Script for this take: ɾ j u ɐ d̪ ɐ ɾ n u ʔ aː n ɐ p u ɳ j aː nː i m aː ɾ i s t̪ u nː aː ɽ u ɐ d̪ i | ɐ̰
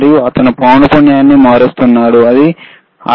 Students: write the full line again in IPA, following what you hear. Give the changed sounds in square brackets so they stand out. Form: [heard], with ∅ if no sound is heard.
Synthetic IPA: ɾ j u ɐ [t̪] ɐ [∅] n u [p] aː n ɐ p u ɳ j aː nː i m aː ɾ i s t̪ u nː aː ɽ u ɐ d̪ i | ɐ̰